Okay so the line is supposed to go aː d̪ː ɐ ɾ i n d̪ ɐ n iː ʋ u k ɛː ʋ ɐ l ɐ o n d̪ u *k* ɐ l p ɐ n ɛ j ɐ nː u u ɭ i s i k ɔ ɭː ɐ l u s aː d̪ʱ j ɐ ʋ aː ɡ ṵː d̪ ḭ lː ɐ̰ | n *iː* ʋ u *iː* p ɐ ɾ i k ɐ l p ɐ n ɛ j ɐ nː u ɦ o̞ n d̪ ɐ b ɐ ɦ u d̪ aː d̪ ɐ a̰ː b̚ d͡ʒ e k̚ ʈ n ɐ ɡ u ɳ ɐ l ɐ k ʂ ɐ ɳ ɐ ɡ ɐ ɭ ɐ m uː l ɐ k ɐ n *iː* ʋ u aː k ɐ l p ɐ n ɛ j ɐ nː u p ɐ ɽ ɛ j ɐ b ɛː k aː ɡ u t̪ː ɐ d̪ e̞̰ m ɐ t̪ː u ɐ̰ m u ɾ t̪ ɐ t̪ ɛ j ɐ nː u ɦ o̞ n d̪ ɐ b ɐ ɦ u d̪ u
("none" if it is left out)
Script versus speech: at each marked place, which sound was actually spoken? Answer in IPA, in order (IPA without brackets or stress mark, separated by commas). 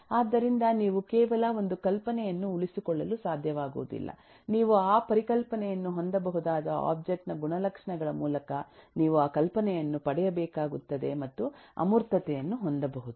k, iː, aː, iː